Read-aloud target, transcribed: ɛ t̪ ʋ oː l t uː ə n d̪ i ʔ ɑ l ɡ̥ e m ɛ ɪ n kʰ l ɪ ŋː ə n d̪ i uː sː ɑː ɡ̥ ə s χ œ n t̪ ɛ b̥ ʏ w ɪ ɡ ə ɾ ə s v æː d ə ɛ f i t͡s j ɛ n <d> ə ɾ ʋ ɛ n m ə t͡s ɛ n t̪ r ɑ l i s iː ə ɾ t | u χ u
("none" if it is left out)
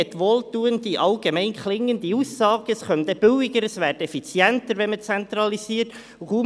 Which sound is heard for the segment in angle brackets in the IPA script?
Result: t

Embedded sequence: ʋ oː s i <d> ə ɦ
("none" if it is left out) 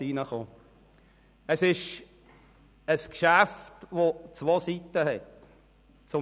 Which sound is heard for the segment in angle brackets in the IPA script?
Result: t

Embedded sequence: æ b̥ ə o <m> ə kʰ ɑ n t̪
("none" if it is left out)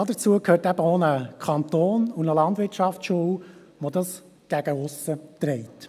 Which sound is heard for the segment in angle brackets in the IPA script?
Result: n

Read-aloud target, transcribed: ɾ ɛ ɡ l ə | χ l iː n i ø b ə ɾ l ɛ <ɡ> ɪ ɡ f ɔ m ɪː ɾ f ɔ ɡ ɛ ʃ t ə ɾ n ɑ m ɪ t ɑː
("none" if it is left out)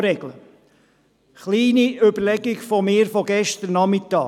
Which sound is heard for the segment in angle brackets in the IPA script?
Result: ɡ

